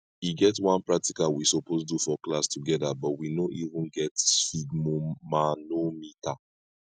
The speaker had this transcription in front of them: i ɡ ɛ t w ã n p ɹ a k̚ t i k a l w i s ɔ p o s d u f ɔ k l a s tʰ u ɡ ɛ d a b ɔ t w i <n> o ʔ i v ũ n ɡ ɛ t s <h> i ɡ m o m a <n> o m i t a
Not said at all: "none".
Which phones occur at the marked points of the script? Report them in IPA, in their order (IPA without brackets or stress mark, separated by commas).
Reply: n, f, n